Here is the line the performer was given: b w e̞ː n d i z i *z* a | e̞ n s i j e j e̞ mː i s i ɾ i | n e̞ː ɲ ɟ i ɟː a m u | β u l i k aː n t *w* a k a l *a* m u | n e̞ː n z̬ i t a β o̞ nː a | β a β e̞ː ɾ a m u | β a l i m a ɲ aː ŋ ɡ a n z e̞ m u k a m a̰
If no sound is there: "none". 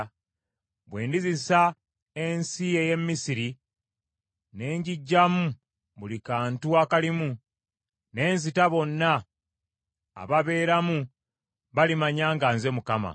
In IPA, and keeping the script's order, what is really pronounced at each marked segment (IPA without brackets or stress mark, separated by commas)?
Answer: s, u, i